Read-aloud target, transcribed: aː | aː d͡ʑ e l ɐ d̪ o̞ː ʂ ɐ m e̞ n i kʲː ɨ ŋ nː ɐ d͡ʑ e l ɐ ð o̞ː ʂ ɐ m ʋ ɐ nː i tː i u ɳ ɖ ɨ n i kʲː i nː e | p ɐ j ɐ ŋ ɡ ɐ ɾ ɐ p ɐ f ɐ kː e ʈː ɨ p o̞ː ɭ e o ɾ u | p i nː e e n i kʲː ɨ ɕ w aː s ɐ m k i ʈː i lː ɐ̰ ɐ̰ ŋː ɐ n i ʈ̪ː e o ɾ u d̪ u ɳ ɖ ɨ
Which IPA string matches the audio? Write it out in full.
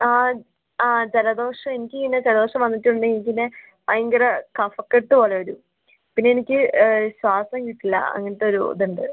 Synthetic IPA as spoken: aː | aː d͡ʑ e l ɐ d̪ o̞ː ʂ ɐ m e̞ n i kʲː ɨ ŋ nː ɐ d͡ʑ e l ɐ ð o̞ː ʂ ɐ m ʋ ɐ nː i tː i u ɳ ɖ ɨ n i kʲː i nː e | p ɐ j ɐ ŋ ɡ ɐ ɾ ɐ k ɐ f ɐ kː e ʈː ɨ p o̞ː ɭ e o ɾ u | p i nː e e n i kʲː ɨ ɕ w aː s ɐ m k i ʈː i lː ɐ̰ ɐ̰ ŋː ɐ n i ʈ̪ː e o ɾ u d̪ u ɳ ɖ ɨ